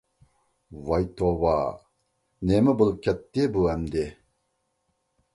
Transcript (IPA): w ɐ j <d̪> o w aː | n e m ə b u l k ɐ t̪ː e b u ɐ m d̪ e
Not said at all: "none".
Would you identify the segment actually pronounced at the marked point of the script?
t̪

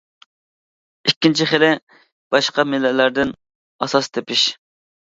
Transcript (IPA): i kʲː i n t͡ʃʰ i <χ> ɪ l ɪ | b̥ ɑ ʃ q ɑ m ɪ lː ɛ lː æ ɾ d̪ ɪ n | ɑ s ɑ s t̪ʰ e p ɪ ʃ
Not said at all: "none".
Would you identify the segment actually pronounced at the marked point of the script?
χ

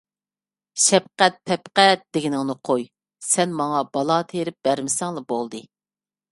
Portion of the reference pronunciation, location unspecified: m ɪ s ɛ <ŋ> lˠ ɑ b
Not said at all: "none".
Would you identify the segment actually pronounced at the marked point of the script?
ŋ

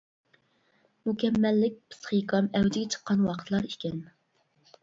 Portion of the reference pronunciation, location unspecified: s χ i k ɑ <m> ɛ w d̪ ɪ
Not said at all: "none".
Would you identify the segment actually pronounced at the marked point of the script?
m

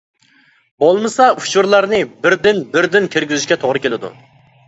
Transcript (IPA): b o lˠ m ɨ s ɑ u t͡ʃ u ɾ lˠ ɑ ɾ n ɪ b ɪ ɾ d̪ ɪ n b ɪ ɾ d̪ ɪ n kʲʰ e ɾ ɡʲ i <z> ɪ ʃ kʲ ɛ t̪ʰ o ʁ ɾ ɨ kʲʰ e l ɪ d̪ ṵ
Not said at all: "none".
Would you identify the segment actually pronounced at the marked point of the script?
z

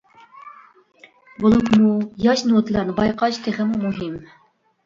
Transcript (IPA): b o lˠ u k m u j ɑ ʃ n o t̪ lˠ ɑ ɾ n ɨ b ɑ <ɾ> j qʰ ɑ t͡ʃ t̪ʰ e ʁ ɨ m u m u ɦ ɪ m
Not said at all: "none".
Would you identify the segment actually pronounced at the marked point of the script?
none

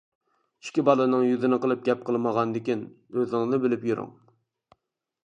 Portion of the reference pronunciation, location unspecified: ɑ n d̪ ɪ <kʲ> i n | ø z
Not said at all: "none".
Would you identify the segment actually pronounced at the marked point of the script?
kʲ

